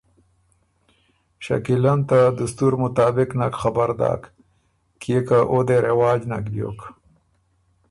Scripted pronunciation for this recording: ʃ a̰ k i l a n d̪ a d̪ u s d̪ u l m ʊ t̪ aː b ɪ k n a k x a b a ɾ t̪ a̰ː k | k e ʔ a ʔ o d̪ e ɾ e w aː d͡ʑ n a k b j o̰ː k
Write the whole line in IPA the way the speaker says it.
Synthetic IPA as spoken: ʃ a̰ k i l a n t̪ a d̪ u s t̪ u ɾ m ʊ t̪ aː b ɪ k n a k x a b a ɾ d̪ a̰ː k | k e k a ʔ o d̪ e ɾ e w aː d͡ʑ n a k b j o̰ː k